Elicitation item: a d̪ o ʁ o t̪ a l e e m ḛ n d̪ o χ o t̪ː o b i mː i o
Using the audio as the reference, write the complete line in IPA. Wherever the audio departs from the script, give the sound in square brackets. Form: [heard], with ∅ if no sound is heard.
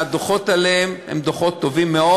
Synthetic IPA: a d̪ o [χ] o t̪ a l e e m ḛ [m] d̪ o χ o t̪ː o [v] i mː [e] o

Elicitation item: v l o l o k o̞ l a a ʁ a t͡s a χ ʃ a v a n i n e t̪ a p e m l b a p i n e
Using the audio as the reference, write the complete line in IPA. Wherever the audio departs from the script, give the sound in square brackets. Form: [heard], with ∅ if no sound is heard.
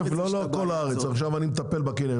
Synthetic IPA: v l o l o k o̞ l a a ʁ [e] t͡s a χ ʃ a v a n i [m] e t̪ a p e [∅] l b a [k] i n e

